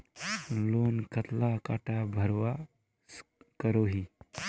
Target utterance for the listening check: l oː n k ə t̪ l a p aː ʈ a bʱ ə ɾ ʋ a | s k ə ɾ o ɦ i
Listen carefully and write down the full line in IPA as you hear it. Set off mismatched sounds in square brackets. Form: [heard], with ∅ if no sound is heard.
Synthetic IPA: l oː n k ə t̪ l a [k] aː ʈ a bʱ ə ɾ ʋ a | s k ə ɾ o ɦ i